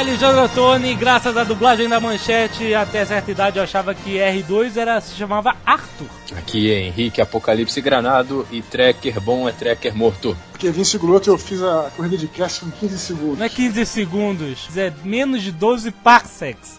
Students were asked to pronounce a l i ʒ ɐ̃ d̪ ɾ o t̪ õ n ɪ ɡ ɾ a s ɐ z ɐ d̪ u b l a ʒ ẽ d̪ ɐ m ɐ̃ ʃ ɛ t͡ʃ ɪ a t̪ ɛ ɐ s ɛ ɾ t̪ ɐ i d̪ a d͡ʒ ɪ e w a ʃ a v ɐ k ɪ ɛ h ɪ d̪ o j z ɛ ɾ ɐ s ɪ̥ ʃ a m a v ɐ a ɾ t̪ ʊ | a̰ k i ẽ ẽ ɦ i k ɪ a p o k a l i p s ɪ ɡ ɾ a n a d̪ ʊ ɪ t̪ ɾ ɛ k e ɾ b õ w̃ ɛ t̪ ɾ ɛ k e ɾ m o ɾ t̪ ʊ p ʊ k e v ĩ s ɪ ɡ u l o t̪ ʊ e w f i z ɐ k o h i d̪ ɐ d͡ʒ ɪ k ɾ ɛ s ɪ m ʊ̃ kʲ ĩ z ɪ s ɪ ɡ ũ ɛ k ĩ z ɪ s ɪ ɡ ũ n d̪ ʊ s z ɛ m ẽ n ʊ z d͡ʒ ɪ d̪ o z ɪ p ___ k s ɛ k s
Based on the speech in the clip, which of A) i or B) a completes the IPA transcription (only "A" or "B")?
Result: B